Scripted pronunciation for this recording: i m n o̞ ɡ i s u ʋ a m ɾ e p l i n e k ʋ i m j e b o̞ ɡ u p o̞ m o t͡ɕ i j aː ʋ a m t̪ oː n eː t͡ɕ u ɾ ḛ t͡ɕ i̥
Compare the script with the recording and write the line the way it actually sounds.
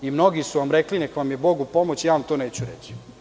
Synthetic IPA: i m n o̞ ɡ i s u ʋ a m ɾ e k l i n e k ʋ a m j e b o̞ ɡ u p o̞ m o t͡ɕ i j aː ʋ a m t̪ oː n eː t͡ɕ u ɾ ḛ t͡ɕ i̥

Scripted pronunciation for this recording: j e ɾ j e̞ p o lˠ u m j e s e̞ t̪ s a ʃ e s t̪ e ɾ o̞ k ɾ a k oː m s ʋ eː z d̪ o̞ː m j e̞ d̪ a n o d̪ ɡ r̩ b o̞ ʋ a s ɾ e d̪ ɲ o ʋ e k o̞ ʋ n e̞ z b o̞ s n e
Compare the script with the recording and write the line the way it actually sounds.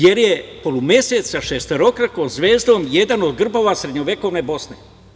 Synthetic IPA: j e ɾ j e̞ p o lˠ u m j e s e̞ t̪ s a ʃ e s t̪ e ɾ o̞ k ɾ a k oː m z ʋ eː z d̪ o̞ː m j e̞ d̪ a n o d̪ ɡ r̩ b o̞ ʋ a s ɾ e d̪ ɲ o ʋ e k o̞ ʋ n e̞ b o̞ s n e

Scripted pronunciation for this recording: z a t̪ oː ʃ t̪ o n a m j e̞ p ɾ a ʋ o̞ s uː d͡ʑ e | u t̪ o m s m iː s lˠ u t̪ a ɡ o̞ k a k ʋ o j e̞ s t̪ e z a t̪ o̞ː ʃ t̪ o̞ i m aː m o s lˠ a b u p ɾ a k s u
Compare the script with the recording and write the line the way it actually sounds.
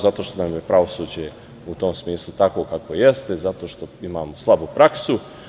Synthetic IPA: z a t̪ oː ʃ t̪ o n a m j e̞ p ɾ a ʋ o̞ s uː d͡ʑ e | u t̪ o m s m iː s lˠ u t̪ a k o̞ k a k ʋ o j e̞ s t̪ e z a t̪ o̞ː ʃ t̪ o̞ i m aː m o s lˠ a b u p ɾ a k s u

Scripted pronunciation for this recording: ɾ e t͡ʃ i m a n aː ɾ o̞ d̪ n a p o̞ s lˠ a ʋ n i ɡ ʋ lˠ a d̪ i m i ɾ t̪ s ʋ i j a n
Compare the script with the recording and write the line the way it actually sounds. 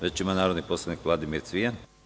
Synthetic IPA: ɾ e t͡ʃ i m a n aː ɾ o̞ d̪ n i p o̞ s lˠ a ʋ n i k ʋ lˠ a d̪ i m i ɾ t̪ s ʋ i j a n

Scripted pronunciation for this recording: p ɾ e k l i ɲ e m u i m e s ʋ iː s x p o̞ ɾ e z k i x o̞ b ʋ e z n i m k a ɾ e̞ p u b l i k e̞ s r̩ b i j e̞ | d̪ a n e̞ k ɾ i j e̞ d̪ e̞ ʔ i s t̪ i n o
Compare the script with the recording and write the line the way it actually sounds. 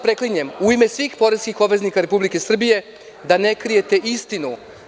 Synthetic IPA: p ɾ e k l i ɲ e m u i m e s ʋ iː x p o̞ ɾ e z k i x o̞ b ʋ e z n i k a ɾ e̞ p u b l i k e̞ s r̩ b i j e̞ | d̪ a n e̞ k ɾ i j e̞ t̪ e̞ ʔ i s t̪ i n u

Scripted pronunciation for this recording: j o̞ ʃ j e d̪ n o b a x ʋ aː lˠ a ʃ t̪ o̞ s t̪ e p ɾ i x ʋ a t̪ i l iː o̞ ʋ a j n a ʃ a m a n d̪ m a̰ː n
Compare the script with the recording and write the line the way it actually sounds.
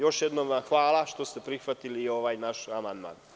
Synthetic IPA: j o̞ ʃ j e d̪ n o m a x ʋ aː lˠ a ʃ t̪ o̞ s t̪ e p ɾ i x ʋ a t̪ i l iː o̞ ʋ a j n a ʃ a m a n d̪ m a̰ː n

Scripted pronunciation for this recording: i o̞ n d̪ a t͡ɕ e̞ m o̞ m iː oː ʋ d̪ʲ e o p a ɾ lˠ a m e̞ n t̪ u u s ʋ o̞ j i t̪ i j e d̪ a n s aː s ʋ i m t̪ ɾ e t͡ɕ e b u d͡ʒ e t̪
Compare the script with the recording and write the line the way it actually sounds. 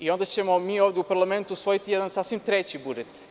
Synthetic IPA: i o̞ n d̪ a t͡ɕ e̞ m o̞ m iː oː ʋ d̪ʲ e u p a ɾ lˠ a m e̞ n t̪ u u s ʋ o̞ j i t̪ i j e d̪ a n s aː s ʋ i m t̪ ɾ e t͡ɕ i b u d͡ʒ e t̪

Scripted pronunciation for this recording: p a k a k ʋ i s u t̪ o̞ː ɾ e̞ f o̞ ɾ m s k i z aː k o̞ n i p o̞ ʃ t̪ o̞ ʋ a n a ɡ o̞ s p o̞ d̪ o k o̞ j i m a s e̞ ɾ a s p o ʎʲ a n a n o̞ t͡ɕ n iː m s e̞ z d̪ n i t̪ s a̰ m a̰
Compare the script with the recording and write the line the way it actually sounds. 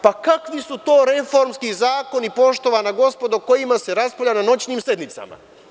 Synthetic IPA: p a k a k ʋ i s u t̪ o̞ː ɾ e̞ f o̞ ɾ m s k i z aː k o̞ n i p o̞ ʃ t̪ o̞ ʋ a n a ɡ o̞ s p o̞ d̪ o k o̞ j i m a s e̞ ɾ a s p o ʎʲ a n a n o̞ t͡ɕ n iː m s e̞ d̪ n i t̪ s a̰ m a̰

